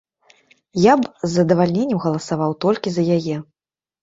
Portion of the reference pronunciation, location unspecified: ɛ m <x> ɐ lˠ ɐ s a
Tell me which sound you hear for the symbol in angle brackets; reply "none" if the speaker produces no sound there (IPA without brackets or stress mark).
ɣ